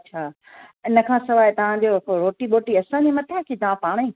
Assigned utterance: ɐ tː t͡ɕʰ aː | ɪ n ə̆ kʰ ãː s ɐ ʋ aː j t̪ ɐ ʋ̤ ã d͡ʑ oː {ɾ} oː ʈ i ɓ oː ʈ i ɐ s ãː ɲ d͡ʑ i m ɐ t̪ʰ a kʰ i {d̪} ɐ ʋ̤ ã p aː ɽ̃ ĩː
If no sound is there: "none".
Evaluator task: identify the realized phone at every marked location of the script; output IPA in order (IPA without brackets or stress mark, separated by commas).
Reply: ɾ, t̪